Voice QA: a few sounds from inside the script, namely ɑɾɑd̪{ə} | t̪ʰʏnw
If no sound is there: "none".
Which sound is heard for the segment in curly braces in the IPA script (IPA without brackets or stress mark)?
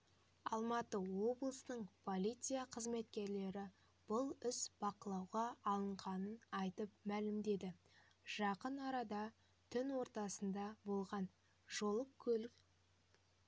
ɑ